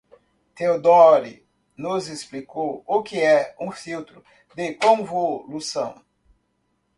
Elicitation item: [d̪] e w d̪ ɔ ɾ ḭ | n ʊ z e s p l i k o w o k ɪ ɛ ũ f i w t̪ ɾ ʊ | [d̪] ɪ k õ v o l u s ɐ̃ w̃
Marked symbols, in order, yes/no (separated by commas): no, yes